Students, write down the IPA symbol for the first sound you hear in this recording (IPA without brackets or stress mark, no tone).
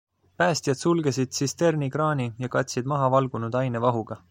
p